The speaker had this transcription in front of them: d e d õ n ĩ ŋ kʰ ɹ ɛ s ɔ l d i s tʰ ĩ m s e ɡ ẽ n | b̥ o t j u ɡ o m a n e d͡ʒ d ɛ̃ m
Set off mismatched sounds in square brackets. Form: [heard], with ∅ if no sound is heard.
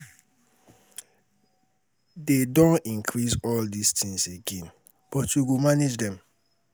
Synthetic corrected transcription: d e d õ n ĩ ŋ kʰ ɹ [i] s ɔ l d i s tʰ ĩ [ŋ] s e ɡ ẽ n | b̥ [ɔ] t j u ɡ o m a n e d͡ʒ d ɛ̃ m

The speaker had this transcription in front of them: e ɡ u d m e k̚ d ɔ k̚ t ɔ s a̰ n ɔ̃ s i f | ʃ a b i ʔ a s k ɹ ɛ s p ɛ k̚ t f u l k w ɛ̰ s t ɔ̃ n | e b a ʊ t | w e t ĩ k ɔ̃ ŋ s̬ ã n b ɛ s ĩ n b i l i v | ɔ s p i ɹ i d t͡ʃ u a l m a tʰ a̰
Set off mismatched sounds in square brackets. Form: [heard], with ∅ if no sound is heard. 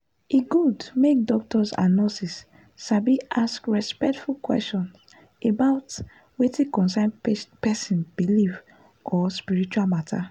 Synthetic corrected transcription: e ɡ u d m e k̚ d ɔ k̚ t ɔ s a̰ n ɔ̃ s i [s] | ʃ a b i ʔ a s k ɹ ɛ s p ɛ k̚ t f u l k w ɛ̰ s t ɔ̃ n | e b a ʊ t | w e t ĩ k ɔ̃ [n] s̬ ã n [p] ɛ s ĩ n b i l i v | ɔ s p i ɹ i [∅] t͡ʃ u a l m a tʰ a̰

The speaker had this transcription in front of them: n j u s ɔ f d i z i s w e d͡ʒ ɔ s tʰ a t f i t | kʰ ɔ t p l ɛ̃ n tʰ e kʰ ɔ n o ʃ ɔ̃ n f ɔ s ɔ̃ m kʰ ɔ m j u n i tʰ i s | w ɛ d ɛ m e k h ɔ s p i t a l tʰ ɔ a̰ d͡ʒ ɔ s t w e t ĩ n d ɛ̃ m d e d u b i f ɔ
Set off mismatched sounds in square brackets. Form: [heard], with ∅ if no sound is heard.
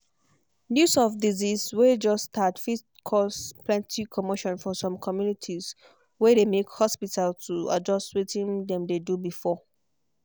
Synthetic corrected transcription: n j u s ɔ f d i z i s w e d͡ʒ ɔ s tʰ a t f i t | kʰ ɔ [s] p l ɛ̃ n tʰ [i] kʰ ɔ [m] o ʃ ɔ̃ n f ɔ s ɔ̃ m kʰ ɔ m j u n i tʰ i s | w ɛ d [e] m e k h ɔ s p i t a l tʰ [u] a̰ d͡ʒ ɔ s t w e t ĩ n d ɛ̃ m d e d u b i f ɔ

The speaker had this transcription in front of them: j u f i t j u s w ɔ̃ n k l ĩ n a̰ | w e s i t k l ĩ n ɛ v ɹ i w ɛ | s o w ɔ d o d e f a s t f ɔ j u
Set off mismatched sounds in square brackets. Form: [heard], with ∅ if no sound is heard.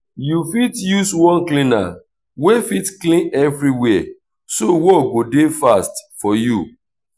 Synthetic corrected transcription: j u f i t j u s w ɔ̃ n k l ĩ n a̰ | w e [f] i t k l ĩ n ɛ v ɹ i w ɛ | s o w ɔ [ɡ] o d e f a s t f ɔ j u

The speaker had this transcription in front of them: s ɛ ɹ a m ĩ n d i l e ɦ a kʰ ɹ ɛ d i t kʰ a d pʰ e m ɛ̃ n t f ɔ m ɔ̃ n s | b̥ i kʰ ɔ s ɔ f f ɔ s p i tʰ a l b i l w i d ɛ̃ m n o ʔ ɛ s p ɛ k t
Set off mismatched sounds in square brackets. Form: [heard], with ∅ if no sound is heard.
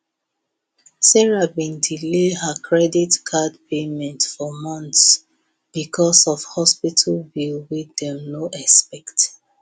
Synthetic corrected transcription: s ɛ ɹ a [b] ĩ n d i l e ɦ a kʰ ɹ ɛ d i t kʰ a d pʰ e m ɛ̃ n t f ɔ m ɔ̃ n s | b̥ i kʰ ɔ s ɔ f [h] ɔ s p i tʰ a l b i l w i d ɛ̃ m n o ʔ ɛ s p ɛ k t

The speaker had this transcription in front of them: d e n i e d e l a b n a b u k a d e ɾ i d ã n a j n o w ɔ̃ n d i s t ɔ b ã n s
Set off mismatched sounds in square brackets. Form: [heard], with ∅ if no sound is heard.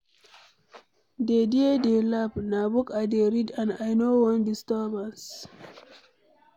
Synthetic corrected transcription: d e [d] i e d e l a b n a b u k a d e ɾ i d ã n a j n o w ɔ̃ n d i s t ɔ b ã n s

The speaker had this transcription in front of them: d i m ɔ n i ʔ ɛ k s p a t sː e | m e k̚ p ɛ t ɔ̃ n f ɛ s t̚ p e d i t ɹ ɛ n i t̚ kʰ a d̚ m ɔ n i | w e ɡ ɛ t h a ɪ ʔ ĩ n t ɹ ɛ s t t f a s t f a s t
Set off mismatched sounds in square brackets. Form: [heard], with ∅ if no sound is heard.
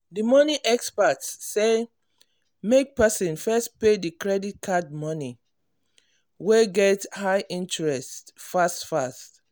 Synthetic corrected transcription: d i m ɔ n i ʔ ɛ k s p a t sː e | m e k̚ p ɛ [s] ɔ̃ n f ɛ s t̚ p e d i [k] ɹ ɛ [d] i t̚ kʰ a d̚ m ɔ n i | w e ɡ ɛ t h a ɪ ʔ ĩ n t ɹ ɛ s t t f a s t f a s t

